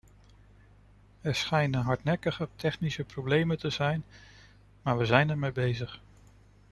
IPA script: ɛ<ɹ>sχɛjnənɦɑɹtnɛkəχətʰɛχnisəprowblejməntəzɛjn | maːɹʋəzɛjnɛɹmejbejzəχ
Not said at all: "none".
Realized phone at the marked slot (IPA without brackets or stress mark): ɹ